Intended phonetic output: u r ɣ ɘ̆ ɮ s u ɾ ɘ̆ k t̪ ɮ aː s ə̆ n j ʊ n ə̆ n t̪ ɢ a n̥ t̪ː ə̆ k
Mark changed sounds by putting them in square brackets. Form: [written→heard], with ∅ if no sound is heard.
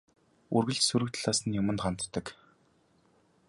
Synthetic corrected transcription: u r ɣ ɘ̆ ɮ s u ɾ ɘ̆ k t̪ ɮ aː s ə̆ n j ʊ [n→m] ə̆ n t̪ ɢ a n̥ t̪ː ə̆ k